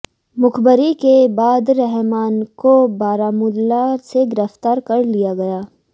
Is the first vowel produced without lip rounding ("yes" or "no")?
no